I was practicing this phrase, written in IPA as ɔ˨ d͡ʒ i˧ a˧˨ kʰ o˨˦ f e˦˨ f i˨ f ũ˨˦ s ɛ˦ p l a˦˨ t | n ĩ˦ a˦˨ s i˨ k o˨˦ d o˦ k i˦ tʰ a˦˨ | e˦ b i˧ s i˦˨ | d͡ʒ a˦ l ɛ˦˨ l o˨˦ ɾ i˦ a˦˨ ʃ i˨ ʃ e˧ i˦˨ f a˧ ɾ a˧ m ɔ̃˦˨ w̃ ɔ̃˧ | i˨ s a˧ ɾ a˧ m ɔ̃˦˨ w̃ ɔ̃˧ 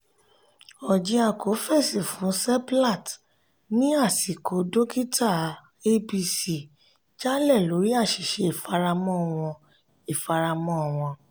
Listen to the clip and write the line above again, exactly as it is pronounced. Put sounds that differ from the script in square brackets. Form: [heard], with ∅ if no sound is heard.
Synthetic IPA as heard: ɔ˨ d͡ʒ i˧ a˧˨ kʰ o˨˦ f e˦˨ [s] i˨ f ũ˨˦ s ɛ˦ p l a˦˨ t | n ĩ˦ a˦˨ s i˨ k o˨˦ d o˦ k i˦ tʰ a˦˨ | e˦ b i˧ s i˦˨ | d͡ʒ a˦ l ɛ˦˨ l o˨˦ ɾ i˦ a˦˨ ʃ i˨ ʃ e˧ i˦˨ f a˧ ɾ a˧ m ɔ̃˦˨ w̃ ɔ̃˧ | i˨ [f] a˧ ɾ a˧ m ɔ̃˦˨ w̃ ɔ̃˧

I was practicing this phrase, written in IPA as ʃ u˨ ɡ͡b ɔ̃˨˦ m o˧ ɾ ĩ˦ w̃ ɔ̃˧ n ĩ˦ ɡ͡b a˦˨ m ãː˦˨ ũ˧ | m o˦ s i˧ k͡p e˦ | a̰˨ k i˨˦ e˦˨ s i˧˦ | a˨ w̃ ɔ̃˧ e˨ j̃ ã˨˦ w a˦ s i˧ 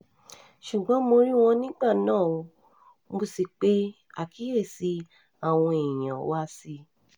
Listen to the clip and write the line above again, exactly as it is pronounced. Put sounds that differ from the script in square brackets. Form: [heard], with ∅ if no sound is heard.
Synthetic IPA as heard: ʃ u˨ ɡ͡b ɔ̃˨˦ m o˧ ɾ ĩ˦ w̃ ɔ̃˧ n ĩ˦ ɡ͡b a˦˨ [n] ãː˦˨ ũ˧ | m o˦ s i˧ k͡p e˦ | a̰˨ k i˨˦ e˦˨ s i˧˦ | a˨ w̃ ɔ̃˧ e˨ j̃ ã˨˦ w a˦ s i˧

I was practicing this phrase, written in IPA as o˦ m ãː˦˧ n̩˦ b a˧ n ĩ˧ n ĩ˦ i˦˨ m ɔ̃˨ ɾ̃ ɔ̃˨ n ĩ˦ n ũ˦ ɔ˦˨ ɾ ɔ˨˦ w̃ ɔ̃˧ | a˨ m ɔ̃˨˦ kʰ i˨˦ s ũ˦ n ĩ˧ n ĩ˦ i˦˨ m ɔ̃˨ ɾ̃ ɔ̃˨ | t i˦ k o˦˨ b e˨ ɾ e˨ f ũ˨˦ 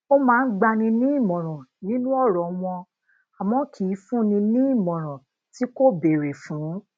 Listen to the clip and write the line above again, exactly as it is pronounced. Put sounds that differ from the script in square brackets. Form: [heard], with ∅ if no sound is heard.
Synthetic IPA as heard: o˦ m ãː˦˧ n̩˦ [ɡ͡b] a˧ n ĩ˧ n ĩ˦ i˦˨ m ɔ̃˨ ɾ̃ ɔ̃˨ n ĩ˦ n ũ˦ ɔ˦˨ ɾ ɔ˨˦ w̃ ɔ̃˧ | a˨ m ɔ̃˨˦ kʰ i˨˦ [f] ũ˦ n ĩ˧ n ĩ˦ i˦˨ m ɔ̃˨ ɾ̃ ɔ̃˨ | t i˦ k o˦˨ b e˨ ɾ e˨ f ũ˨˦

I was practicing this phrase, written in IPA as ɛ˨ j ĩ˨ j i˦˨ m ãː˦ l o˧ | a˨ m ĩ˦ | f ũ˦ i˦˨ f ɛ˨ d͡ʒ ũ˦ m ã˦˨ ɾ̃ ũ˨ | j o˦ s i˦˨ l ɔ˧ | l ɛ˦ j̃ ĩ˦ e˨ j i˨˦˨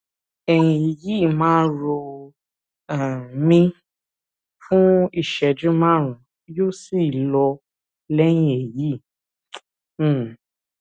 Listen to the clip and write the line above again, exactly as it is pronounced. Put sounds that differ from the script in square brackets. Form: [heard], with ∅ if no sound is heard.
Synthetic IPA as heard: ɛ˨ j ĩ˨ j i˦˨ m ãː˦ [ɾ] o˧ | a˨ m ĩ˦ | f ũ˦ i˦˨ [ʃ] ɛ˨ d͡ʒ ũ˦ m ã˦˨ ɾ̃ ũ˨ | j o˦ s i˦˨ l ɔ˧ | l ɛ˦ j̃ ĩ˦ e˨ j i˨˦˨

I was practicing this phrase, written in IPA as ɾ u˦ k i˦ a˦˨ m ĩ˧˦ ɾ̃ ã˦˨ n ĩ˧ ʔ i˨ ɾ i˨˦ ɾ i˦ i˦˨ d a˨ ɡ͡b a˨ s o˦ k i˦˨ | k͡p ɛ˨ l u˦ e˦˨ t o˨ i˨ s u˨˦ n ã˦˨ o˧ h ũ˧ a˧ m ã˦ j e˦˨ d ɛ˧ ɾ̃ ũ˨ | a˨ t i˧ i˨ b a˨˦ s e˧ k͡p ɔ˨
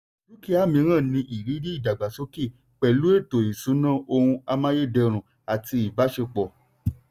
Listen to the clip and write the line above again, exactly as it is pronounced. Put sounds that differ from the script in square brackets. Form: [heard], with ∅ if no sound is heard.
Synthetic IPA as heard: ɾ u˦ k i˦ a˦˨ m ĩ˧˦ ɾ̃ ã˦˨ n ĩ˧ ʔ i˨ ɾ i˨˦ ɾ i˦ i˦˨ d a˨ ɡ͡b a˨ s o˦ k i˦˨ | k͡p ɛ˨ l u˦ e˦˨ t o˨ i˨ s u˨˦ n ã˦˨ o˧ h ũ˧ a˧ m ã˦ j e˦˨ d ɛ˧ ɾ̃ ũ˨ | a˨ t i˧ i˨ b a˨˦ [ʃ] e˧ k͡p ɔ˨

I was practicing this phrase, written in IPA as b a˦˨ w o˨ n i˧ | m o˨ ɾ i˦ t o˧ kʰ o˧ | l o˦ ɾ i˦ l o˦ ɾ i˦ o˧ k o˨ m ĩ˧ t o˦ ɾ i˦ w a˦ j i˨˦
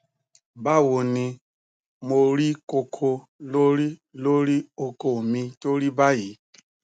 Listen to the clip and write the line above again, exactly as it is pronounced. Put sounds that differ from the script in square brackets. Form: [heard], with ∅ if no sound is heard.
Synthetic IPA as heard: b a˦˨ w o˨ n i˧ | m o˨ ɾ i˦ [k] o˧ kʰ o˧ | l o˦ ɾ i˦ l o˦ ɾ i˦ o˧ k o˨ m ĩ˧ t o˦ ɾ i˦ [b] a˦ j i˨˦

